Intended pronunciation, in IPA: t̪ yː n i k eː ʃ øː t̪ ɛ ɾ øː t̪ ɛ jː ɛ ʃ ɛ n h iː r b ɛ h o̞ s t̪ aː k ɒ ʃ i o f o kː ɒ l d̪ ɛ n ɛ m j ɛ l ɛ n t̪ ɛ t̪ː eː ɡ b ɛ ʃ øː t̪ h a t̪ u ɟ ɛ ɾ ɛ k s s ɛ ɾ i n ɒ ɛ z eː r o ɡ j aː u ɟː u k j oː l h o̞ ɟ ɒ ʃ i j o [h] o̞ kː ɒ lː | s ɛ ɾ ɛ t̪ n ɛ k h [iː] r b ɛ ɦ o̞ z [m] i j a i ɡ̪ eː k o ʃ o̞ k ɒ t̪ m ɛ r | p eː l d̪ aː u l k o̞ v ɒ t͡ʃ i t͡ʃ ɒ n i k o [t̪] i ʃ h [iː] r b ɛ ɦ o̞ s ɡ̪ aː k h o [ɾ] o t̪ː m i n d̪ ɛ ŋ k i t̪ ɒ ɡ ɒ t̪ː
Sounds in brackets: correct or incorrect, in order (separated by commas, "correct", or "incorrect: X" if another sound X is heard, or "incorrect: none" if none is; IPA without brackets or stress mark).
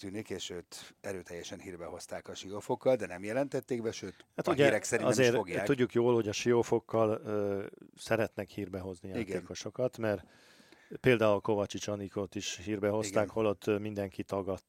incorrect: f, correct, incorrect: n, correct, correct, incorrect: l